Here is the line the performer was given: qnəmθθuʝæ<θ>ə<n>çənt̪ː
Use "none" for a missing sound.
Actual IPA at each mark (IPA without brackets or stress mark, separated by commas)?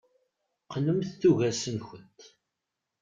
s, n